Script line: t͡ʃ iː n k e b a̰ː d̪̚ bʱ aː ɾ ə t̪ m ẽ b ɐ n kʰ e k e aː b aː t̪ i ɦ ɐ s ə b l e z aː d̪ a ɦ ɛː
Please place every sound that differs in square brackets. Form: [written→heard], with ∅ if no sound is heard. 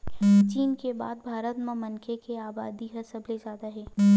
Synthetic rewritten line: t͡ʃ iː n k e b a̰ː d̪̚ bʱ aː ɾ ə t̪ m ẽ [b→m] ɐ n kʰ e k e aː b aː [t̪→d̪] i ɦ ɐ s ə b l e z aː d̪ a ɦ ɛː